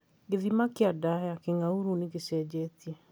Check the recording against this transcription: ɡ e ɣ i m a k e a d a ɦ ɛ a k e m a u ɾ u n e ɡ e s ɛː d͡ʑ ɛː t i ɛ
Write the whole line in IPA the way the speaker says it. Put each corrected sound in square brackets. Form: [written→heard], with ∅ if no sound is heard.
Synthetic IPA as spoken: ɡ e [ɣ→ð] i m a k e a d a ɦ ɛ a k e [m→ŋ] a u ɾ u n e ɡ e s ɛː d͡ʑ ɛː t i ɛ